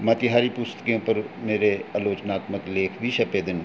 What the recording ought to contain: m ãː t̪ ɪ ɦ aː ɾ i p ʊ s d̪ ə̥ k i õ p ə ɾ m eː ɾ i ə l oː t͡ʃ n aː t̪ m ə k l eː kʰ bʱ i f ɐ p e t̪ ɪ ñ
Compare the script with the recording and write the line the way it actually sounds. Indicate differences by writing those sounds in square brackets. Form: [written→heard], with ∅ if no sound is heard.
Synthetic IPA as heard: m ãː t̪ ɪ ɦ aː ɾ i p ʊ s [d̪→t̪] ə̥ k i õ p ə ɾ m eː ɾ [i→e] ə l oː t͡ʃ n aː t̪ m ə k l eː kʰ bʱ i [f→ʃ] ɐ p e [t̪→d̪] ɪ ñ